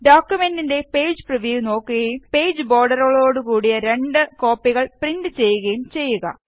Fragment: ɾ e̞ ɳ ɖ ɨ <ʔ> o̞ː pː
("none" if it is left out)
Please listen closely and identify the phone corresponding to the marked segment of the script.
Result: k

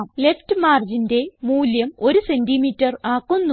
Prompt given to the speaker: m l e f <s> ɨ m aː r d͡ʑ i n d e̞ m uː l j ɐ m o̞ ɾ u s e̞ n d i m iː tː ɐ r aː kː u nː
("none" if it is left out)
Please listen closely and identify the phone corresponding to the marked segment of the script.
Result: t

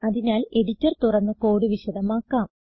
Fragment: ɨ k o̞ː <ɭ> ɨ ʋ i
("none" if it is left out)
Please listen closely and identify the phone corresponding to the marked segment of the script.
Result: ɽ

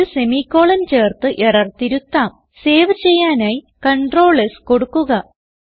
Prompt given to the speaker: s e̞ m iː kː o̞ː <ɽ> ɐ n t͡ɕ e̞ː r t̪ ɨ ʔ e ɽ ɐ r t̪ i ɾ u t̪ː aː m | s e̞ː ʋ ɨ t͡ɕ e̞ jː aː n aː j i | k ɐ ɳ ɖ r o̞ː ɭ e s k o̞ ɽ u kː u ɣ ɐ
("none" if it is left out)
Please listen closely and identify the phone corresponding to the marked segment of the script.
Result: ɭ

